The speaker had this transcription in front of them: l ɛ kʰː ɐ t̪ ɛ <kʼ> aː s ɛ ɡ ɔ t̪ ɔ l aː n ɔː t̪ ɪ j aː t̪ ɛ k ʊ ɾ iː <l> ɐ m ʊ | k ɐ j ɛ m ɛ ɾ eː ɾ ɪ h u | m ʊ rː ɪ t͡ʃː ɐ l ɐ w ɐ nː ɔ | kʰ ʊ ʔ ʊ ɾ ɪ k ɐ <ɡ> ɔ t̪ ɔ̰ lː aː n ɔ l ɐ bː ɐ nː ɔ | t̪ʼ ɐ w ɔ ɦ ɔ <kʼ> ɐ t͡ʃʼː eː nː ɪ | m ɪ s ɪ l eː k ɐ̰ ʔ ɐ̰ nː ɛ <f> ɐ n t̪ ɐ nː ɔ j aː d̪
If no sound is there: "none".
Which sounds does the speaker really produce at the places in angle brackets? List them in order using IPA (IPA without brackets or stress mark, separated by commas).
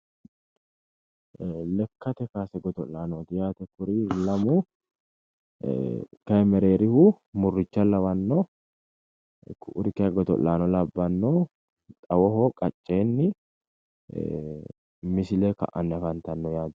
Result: k, l, ɡ, kʼ, f